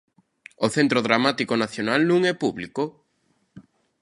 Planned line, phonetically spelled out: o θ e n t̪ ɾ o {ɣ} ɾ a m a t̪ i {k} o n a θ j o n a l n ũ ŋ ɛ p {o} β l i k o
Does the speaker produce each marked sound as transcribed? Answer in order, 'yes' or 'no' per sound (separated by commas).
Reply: no, yes, no